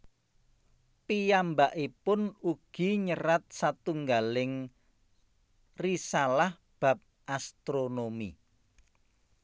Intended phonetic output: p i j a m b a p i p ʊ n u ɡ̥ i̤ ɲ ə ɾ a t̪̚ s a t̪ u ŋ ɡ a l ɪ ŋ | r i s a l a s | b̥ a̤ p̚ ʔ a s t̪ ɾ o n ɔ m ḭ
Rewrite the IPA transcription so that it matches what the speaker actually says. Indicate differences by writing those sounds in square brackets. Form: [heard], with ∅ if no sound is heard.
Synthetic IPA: p i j a m b a [ʔ] i p ʊ n u ɡ̥ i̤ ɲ ə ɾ a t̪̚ s a t̪ u ŋ ɡ a l ɪ ŋ | r i s a l a [h] | b̥ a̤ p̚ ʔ a s t̪ ɾ o n [o] m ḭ

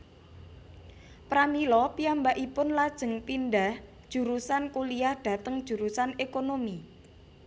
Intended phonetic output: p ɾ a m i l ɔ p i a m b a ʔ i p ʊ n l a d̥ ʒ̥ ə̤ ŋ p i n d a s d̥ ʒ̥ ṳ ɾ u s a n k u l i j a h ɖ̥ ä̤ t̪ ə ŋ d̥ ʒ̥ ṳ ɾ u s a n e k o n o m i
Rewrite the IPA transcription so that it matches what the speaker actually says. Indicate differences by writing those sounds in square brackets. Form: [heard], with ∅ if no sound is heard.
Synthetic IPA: p ɾ a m i l ɔ p i a m b a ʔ i p ʊ n l a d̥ ʒ̥ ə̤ ŋ p i n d a [h] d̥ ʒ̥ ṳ ɾ u s a n k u l i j a h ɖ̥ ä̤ t̪ ə ŋ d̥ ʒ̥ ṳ ɾ u s a n e k o n o m i

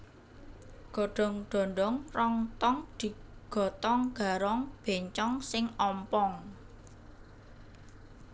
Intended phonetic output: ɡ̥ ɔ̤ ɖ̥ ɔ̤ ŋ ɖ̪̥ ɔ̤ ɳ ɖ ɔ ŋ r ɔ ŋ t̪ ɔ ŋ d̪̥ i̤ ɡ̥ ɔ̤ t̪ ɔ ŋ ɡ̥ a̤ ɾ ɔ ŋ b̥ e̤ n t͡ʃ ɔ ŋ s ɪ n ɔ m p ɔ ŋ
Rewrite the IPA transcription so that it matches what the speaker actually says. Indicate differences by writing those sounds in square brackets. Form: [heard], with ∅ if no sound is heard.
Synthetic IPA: ɡ̥ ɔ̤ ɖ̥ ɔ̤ ŋ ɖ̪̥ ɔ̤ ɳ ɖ ɔ ŋ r ɔ ŋ t̪ ɔ ŋ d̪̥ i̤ ɡ̥ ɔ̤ t̪ ɔ ŋ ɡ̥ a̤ ɾ ɔ ŋ b̥ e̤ [ɲ] t͡ʃ ɔ ŋ s ɪ [ŋ] ɔ m p ɔ ŋ

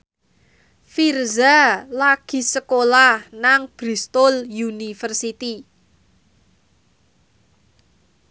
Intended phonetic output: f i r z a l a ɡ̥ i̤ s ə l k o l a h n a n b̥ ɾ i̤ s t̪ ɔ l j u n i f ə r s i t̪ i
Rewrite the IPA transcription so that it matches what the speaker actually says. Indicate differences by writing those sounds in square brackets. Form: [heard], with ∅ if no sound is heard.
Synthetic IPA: f i r z a l a ɡ̥ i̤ s ə [∅] k o l a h n a [ŋ] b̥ ɾ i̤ s t̪ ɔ l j u n i f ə r s i t̪ i

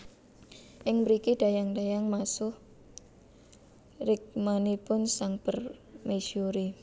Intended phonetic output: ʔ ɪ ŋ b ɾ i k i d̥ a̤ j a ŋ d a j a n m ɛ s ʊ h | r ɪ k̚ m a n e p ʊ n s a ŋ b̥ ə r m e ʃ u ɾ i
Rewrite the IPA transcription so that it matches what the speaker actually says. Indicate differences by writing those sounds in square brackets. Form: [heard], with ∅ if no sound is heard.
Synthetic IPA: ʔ ɪ ŋ b ɾ i k i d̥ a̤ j a ŋ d a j a [ŋ] m [a] s ʊ h | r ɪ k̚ m a n [i] p ʊ n s a ŋ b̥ ə r m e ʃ u ɾ i

